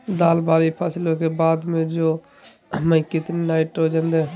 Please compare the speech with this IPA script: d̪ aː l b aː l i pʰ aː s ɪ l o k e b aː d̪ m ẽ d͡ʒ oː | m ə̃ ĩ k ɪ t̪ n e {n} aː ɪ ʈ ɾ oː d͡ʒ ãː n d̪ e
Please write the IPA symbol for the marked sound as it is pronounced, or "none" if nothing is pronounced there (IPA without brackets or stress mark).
n